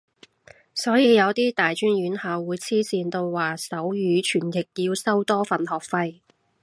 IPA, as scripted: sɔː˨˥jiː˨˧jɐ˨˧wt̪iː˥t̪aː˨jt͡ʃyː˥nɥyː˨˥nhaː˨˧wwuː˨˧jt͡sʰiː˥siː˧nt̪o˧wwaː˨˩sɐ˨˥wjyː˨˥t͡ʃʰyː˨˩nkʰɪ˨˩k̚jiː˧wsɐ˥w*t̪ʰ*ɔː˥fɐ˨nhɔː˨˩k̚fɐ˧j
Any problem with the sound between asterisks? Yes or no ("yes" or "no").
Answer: yes